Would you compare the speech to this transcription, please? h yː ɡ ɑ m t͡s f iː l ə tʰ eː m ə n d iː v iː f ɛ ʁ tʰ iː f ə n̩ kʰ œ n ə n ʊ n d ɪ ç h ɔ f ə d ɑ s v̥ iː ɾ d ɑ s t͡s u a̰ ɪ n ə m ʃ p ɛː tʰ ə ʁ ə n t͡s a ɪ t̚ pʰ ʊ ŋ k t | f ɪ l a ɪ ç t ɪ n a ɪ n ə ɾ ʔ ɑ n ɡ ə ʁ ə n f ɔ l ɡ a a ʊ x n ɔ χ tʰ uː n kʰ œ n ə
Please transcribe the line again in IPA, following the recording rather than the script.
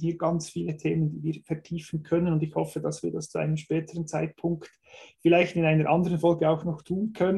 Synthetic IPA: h iː ɡ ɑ n t͡s f iː l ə tʰ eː m ə n d iː v iː f ɛ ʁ tʰ iː f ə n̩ kʰ œ n ə n ʊ n d ɪ ç h ɔ f ə d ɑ s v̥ iː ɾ d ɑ s t͡s u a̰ ɪ n ə m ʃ p ɛː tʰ ə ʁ ə n t͡s a ɪ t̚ pʰ ʊ ŋ k t | f ɪ l a ɪ ç t ɪ n a ɪ n ə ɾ ʔ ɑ n d ə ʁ ə n f ɔ l ɡ ə a ʊ x n ɔ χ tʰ uː n kʰ œ n ə